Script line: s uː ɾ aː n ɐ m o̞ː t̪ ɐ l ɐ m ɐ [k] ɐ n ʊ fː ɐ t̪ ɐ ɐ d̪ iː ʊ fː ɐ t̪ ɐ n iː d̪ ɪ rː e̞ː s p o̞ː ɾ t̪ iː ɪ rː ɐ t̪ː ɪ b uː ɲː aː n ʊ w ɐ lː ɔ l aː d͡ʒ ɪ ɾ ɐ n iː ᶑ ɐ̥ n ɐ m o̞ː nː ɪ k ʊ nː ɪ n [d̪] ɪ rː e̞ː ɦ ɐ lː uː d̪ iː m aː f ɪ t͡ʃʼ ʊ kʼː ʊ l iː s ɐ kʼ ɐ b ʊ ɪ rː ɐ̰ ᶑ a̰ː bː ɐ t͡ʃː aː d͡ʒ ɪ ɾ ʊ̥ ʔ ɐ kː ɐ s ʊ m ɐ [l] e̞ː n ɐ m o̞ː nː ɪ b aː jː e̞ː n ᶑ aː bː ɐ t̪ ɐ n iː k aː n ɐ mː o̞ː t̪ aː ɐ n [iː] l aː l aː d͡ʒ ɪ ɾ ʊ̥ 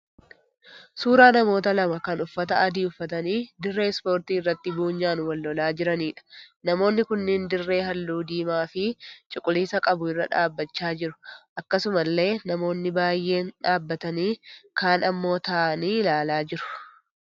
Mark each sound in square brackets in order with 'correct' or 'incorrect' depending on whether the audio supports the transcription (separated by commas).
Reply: correct, correct, incorrect, correct